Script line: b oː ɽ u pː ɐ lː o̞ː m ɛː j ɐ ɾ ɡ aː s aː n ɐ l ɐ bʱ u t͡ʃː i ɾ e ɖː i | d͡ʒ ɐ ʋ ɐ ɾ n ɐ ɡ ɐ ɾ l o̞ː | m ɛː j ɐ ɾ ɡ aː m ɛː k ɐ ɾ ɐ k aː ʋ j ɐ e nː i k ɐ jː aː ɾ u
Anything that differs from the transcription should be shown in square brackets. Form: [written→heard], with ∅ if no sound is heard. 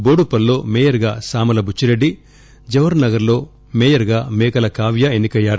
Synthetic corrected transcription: b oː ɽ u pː ɐ lː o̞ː m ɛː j ɐ ɾ ɡ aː s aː [n→m] ɐ l ɐ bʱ u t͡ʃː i ɾ e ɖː i | d͡ʒ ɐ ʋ ɐ ɾ n ɐ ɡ ɐ ɾ l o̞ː | m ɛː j ɐ ɾ ɡ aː m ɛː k ɐ [ɾ→l] ɐ k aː ʋ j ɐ e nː i k ɐ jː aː ɾ u